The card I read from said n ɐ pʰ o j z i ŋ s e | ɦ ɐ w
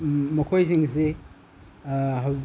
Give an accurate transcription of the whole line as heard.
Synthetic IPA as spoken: m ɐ kʰ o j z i ŋ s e | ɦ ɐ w